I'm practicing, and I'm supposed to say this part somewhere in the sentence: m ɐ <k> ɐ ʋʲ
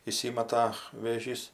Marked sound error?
yes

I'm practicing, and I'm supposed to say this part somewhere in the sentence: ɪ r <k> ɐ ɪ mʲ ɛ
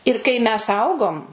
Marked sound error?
no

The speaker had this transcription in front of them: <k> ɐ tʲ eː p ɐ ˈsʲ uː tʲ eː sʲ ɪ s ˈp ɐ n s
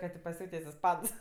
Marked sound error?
no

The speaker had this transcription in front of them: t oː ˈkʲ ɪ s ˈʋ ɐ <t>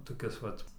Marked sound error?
no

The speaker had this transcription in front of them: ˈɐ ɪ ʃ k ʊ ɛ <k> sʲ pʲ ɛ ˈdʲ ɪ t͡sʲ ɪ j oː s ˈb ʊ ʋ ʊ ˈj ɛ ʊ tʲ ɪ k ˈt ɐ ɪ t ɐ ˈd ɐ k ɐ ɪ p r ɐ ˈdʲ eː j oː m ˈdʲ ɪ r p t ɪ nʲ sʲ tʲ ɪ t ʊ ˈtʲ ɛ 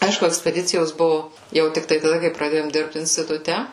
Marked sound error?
no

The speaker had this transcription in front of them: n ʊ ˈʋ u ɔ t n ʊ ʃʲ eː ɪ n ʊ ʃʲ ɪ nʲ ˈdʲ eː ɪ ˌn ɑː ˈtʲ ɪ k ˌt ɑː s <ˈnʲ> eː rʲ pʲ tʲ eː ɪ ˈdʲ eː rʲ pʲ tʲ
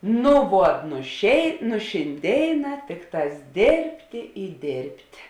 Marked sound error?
yes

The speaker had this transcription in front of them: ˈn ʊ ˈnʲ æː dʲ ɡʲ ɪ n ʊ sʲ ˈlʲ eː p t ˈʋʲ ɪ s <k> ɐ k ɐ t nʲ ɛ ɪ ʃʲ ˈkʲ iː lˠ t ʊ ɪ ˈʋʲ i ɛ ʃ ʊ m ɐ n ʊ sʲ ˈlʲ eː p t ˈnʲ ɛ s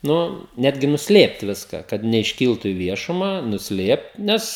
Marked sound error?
no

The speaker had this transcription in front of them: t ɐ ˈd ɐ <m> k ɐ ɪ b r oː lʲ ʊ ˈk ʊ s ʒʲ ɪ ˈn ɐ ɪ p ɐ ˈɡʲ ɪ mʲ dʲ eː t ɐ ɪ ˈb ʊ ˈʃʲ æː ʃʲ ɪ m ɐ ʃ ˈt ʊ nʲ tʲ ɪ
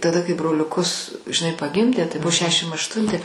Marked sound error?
yes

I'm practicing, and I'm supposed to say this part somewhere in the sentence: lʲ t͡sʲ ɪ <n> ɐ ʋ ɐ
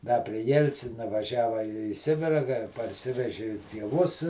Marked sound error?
no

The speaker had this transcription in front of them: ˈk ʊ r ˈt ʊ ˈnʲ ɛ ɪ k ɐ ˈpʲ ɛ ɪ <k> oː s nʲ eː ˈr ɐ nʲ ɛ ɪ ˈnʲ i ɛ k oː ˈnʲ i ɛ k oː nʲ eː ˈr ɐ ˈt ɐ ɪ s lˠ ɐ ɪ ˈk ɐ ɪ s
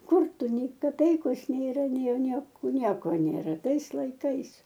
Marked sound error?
no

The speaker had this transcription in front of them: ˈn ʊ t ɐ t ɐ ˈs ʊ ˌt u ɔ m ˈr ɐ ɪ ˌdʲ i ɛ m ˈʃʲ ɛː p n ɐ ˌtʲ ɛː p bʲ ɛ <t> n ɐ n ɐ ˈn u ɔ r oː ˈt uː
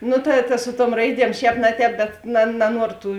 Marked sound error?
no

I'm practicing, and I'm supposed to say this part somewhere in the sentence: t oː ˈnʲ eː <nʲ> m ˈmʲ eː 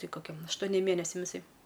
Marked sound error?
yes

